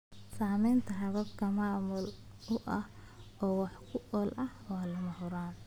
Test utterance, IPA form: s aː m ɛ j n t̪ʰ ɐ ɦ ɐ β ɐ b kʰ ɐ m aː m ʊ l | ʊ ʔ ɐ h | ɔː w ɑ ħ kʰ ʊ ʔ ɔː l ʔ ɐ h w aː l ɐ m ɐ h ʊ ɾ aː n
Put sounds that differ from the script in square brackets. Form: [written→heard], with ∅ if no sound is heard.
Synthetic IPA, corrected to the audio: s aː m ɛ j n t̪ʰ ɐ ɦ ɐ β ɐ b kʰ ɐ m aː m ʊ l | ʊ ʔ ɐ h | ɔː w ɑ ħ kʰ ʊ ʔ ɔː l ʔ ɐ h w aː l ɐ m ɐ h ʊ ɾ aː n